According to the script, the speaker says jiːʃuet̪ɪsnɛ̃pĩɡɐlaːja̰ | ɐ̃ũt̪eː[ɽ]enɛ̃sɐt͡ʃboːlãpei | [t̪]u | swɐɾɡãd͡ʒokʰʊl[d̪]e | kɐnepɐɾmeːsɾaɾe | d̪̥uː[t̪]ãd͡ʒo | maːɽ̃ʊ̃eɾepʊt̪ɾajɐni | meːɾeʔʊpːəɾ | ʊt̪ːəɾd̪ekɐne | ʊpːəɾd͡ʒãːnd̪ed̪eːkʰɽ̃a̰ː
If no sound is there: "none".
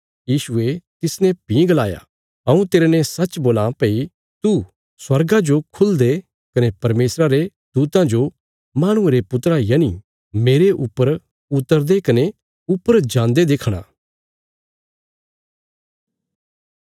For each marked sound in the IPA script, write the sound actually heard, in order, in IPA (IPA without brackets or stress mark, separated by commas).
ɾ, t̪, d̪, t̪